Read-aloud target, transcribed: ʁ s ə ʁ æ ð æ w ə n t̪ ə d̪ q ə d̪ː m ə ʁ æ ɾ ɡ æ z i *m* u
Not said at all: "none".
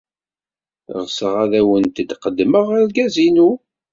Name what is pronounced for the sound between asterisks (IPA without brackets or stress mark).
n